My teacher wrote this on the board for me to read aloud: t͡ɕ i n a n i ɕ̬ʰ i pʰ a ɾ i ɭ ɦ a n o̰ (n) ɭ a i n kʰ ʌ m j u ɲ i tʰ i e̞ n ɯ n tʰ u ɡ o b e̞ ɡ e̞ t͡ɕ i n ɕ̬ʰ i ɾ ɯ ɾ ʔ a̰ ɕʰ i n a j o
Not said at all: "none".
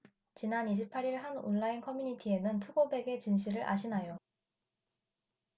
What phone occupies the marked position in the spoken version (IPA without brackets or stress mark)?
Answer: n